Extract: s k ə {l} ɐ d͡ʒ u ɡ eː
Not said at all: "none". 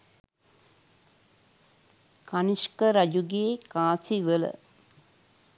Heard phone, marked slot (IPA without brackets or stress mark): ɾ